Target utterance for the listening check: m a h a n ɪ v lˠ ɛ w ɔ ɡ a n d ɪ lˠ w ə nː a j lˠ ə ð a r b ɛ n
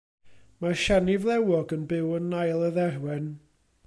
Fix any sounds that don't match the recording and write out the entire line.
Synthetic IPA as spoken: m a ʃ a n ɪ v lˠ ɛ w ɔ ɡ ə n b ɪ w ə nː a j lˠ ə ð ɛ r w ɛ n